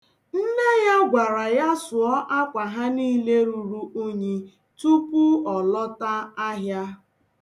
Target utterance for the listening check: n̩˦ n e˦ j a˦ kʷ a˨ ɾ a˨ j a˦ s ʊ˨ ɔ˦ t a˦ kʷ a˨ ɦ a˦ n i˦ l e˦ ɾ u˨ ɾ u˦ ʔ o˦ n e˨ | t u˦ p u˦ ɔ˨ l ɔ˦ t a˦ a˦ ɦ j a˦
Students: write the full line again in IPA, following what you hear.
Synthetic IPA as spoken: n̩˦ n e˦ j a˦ ɡʷ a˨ ɾ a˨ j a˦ s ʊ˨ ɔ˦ ʔ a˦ kʷ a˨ ɦ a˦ n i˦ l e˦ ɾ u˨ ɾ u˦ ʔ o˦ ɲ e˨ | t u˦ p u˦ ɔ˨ l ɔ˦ t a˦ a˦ ɦ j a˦